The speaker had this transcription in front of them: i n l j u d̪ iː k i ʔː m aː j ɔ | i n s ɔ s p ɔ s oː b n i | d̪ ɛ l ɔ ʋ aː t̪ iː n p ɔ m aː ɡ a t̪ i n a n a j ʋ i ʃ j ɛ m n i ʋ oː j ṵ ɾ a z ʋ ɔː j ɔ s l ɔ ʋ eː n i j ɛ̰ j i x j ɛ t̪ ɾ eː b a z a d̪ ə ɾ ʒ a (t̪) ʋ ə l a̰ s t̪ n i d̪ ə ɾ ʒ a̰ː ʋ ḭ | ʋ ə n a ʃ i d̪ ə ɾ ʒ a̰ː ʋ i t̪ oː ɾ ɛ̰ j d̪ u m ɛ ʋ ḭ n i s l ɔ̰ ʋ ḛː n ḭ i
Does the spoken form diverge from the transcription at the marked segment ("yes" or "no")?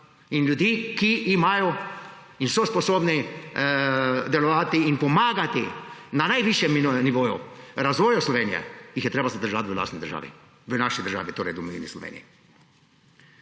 no